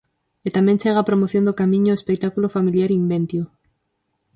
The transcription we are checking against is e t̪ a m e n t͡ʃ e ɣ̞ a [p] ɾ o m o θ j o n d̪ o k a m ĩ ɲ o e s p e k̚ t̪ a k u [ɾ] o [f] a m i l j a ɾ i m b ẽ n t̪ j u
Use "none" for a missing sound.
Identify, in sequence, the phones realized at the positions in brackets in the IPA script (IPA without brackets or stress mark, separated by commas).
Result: p, l, f